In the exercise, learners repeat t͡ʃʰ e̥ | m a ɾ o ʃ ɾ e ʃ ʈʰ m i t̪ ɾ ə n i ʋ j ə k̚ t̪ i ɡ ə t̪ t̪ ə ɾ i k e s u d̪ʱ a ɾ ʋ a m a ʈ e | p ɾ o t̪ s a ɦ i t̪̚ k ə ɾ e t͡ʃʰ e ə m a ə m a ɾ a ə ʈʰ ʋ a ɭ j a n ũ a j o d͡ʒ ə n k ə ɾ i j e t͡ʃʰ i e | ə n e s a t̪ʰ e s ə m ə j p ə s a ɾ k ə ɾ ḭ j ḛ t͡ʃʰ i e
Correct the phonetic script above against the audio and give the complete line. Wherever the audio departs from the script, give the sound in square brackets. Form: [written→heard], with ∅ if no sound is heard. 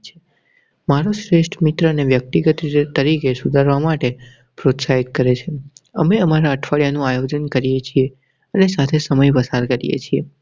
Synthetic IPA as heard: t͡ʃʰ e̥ | m a ɾ o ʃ ɾ e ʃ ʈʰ m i t̪ ɾ ə n [i→e] ʋ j ə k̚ t̪ i ɡ ə t̪ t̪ ə ɾ i k e s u d̪ʱ a ɾ ʋ a m a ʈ e | p ɾ o t̪ s a ɦ i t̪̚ k ə ɾ e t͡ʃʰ e ə m [a→e] ə m a ɾ a ə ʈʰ ʋ a ɭ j a n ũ a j o d͡ʒ ə n k ə ɾ i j e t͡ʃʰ i e | ə n e s a t̪ʰ e s ə m ə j p ə s a ɾ k ə ɾ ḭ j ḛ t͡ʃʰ i e